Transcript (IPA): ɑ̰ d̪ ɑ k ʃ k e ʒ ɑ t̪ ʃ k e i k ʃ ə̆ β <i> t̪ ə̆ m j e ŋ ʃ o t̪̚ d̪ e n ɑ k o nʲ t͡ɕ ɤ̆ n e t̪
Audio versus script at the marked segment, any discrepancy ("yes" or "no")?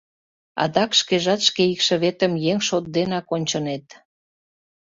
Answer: yes